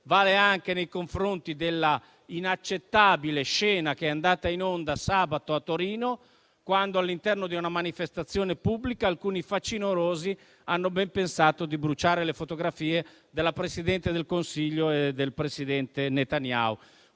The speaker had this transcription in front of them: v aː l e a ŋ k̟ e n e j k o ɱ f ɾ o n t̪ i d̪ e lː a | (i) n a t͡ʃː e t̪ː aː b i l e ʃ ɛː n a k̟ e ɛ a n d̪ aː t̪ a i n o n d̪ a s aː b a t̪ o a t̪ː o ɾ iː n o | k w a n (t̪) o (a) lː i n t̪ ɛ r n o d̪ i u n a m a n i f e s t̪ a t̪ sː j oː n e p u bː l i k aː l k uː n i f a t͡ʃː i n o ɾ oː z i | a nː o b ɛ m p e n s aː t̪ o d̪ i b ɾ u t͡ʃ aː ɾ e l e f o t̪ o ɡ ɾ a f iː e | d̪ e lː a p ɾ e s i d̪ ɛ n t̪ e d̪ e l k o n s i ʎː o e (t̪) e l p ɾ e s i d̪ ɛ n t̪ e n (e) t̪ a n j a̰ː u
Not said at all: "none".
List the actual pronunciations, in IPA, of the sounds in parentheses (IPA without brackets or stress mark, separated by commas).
i, d̪, a, d̪, e